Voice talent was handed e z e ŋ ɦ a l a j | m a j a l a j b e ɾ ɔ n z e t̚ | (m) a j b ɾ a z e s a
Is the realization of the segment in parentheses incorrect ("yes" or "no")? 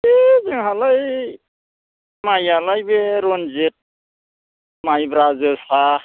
no